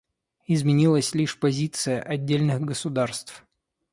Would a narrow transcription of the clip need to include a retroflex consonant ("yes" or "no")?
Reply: yes